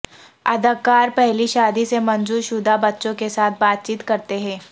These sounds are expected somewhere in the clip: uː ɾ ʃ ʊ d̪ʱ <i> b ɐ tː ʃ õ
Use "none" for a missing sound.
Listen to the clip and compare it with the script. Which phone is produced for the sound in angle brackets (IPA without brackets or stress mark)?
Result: a